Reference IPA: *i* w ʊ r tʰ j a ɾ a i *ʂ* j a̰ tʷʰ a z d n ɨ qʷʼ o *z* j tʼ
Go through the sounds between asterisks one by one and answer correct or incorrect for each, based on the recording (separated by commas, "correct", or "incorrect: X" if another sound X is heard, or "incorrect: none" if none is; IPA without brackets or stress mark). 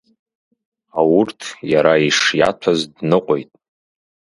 incorrect: a, correct, incorrect: none